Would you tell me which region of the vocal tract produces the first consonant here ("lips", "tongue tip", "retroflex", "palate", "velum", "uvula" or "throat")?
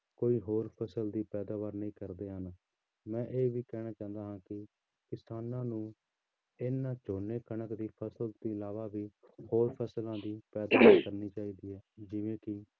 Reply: velum